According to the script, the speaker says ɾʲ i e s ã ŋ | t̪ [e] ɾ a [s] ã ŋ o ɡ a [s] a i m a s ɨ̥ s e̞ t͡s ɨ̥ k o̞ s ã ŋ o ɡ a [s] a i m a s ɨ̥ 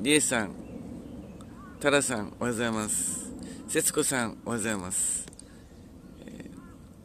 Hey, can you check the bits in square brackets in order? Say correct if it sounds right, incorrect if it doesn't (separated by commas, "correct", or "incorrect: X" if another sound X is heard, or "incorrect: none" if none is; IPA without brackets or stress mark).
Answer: incorrect: a, correct, incorrect: z, incorrect: z